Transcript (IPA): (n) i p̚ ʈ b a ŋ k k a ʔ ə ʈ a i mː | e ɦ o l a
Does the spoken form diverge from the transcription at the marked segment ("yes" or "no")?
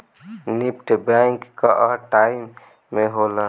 no